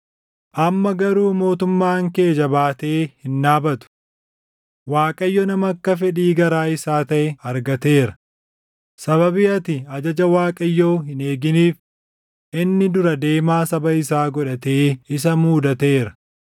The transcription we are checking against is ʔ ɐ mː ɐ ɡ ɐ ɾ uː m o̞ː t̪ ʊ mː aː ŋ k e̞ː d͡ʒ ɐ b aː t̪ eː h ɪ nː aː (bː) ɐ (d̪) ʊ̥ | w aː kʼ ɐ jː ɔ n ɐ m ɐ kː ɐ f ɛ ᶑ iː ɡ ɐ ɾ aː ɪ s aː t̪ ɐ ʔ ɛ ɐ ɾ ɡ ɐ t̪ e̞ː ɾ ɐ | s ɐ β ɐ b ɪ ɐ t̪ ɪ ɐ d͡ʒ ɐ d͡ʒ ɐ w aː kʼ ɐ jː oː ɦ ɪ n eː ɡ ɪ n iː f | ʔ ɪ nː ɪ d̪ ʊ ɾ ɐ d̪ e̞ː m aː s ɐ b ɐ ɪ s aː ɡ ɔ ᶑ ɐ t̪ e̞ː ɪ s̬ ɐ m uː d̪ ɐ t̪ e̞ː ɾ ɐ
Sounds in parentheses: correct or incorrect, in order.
incorrect, incorrect

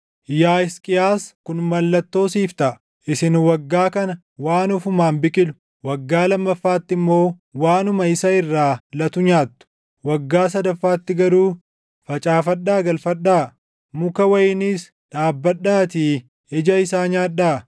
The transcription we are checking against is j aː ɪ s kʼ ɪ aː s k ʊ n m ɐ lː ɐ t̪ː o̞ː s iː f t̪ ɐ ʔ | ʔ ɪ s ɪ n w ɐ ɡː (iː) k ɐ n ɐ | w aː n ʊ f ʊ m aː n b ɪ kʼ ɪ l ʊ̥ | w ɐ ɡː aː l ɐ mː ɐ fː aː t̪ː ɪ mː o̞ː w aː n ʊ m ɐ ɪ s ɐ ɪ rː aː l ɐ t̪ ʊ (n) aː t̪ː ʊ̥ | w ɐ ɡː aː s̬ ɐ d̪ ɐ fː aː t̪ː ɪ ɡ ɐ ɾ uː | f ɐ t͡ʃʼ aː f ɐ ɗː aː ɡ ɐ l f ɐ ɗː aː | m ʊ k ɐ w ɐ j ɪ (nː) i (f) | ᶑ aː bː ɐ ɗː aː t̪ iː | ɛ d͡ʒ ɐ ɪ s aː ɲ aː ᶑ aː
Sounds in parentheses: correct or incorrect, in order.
incorrect, incorrect, incorrect, incorrect

